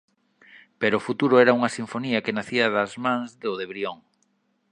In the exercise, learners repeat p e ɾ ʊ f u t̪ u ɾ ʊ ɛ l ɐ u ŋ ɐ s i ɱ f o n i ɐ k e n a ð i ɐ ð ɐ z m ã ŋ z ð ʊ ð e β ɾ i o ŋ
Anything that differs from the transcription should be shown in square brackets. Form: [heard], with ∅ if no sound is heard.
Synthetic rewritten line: p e ɾ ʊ f u t̪ u ɾ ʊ ɛ [ɾ] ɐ u ŋ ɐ s i ɱ f o n i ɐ k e n a [θ] i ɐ ð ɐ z m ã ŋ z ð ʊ ð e β ɾ i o ŋ